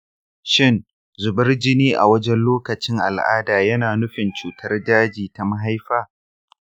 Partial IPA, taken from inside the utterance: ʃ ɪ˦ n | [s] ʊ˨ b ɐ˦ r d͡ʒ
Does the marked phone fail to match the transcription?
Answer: yes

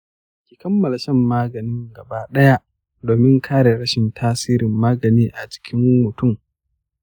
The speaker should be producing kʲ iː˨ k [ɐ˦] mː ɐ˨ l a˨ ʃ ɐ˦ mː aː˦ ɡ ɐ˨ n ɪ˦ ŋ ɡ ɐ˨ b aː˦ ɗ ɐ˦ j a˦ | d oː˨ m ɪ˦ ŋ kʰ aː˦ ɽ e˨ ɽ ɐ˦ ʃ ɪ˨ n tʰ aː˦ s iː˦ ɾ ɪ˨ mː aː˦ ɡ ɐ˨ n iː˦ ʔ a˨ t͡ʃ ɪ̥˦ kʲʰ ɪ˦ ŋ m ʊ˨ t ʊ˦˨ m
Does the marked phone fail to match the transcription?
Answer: no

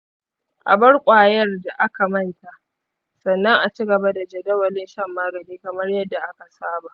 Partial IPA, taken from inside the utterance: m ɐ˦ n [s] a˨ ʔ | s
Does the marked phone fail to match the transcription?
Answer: yes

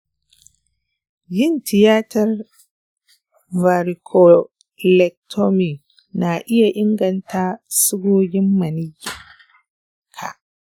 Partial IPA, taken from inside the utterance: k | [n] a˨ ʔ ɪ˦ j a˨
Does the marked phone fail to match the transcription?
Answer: no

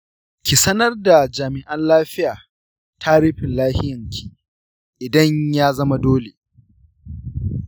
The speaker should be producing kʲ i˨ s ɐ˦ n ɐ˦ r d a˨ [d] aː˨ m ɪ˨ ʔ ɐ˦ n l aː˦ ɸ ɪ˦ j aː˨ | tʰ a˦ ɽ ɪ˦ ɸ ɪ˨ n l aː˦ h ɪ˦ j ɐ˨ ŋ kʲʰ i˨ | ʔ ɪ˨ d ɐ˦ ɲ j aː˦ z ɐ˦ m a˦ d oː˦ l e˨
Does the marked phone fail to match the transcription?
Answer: yes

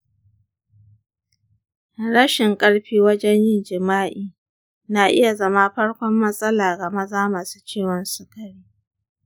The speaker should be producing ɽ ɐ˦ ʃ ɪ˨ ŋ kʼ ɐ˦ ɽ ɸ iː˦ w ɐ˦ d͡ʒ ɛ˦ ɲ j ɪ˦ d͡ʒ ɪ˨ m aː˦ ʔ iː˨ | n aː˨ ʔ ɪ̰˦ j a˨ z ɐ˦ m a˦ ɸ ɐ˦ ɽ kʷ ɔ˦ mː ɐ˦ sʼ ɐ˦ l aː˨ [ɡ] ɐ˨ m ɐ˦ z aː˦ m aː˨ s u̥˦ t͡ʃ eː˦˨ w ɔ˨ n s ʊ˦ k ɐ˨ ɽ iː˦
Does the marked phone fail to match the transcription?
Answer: no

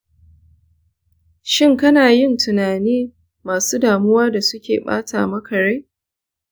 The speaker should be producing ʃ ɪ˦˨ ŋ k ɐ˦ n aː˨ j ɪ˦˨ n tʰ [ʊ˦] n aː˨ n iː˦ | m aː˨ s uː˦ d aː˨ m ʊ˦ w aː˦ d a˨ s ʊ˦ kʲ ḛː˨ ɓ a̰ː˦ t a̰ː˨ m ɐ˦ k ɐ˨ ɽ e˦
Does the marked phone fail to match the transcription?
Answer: yes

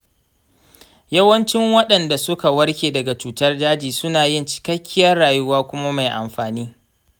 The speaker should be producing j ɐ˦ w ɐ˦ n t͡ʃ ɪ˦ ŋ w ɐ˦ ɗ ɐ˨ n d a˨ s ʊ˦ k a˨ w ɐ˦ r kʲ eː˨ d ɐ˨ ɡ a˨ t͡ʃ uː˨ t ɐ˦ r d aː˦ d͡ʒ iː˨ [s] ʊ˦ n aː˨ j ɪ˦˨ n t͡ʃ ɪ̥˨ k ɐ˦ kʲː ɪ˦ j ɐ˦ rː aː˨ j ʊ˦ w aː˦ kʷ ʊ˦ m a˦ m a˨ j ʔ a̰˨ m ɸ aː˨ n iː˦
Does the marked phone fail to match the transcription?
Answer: no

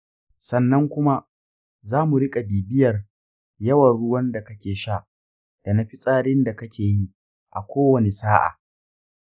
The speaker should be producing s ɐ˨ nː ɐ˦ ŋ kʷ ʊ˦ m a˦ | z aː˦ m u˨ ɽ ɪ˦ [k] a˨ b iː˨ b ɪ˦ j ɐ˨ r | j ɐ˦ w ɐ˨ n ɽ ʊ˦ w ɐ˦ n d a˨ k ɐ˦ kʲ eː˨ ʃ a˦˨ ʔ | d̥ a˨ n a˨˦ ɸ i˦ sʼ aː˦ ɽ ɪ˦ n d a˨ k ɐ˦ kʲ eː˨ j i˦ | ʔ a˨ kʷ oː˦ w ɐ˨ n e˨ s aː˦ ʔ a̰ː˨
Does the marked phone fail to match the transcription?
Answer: yes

